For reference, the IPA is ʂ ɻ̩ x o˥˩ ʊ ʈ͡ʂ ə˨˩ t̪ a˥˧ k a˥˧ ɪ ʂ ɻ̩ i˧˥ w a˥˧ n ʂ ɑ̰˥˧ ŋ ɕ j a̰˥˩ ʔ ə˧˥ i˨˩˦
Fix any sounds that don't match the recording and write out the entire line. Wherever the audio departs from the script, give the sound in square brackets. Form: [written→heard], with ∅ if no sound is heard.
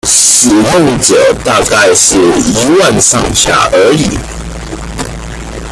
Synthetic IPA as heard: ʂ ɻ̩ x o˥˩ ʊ ʈ͡ʂ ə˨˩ t̪ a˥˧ k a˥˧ ɪ ʂ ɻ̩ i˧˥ w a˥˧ n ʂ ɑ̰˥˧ ŋ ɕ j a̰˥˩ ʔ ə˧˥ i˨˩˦